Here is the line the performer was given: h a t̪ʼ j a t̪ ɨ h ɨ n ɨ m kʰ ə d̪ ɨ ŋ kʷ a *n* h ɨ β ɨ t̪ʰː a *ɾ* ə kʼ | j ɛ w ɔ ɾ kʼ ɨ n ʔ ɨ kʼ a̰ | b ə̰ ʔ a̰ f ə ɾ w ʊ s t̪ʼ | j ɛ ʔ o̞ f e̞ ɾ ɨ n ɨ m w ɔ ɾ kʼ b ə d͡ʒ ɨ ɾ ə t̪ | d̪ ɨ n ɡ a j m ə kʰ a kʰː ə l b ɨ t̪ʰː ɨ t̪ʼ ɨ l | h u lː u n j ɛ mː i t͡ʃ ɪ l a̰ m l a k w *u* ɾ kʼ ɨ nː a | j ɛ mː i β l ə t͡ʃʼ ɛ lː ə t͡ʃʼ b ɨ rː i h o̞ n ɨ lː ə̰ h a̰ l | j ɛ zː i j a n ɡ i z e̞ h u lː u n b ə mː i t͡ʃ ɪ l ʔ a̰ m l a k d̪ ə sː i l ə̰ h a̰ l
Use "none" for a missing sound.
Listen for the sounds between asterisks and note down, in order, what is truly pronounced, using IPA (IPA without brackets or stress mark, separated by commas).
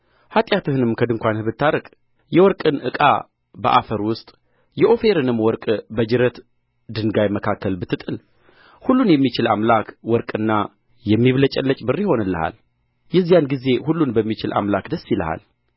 n, ɾ, ɔ